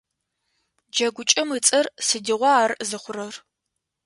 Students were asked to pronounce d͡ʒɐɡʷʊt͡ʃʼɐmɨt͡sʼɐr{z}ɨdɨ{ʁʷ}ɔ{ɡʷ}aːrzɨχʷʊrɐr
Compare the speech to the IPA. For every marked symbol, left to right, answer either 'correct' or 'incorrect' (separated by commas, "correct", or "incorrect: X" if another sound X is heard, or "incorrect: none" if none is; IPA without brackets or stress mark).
incorrect: s, correct, incorrect: none